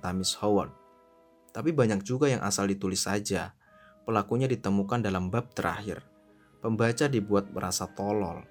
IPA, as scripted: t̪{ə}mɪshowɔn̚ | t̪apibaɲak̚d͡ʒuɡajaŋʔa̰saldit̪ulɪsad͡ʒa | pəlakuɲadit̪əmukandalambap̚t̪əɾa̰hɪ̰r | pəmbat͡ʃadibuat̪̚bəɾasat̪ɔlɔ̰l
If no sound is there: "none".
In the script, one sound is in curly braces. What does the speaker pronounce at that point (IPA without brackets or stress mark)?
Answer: a